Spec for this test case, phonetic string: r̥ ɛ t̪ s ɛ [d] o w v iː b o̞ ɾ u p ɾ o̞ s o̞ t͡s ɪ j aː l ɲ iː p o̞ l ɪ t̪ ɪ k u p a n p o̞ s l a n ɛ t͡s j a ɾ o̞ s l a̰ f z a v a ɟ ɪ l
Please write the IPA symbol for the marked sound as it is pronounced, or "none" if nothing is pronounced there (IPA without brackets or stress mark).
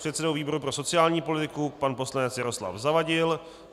d